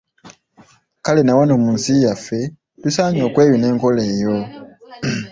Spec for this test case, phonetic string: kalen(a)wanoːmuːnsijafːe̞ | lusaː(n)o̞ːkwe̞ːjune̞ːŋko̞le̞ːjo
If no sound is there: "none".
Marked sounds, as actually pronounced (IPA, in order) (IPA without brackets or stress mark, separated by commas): a, ɲ